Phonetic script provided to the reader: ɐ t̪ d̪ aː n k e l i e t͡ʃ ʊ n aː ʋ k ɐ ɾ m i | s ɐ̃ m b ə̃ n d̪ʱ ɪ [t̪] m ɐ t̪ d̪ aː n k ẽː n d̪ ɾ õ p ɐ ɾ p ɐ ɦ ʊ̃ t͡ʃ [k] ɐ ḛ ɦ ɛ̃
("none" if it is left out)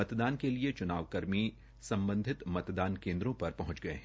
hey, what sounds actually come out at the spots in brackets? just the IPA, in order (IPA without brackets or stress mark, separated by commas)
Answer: t̪, ɡ